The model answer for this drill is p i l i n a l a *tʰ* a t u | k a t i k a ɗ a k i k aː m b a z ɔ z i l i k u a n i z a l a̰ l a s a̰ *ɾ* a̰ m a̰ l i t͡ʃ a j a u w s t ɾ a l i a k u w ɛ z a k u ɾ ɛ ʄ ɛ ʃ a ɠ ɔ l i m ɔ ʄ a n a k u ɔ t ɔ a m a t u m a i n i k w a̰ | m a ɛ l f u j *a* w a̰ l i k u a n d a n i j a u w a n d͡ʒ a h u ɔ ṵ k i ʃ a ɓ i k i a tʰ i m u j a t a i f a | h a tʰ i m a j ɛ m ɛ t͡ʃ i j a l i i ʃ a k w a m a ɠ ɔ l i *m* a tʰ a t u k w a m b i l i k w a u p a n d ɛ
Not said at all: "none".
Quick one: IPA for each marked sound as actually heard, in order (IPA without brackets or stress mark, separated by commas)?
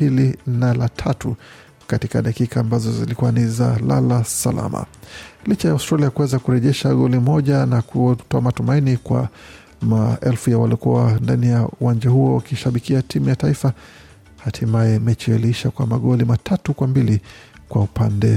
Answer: tʰ, l, a, m